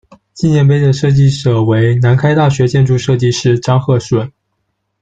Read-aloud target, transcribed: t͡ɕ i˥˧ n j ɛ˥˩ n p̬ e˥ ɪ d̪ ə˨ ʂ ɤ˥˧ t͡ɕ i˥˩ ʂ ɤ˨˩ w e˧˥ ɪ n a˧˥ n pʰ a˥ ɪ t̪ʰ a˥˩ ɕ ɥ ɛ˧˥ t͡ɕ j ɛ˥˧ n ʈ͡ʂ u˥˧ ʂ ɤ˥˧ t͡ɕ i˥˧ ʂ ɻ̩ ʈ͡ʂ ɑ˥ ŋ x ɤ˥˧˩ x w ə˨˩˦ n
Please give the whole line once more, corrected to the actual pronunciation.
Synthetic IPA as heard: t͡ɕ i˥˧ n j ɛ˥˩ n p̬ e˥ ɪ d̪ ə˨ ʂ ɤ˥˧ t͡ɕ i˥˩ ʂ ɤ˨˩ w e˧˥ ɪ n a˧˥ n kʰ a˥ ɪ t̪ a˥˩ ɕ ɥ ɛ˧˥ t͡ɕ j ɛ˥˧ n ʈ͡ʂ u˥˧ ʂ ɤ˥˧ t͡ɕ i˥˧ ʂ ɻ̩ ʈ͡ʂ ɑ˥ ŋ x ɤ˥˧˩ ʂ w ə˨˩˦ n